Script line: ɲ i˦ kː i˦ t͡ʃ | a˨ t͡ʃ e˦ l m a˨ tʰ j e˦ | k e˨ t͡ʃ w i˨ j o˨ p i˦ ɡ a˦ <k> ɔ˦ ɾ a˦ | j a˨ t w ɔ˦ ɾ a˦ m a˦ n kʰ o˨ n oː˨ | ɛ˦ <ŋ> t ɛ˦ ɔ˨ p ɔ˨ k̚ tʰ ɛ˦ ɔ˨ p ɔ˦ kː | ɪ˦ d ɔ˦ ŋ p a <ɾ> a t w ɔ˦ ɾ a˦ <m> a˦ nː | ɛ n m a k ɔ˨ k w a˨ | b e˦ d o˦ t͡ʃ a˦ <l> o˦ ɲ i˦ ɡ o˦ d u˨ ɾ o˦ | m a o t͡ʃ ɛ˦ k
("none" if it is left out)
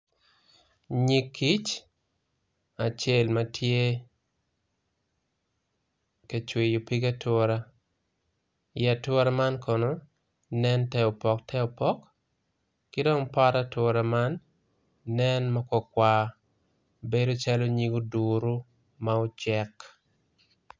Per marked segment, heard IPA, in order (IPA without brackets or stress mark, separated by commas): t, n, ɾ, m, l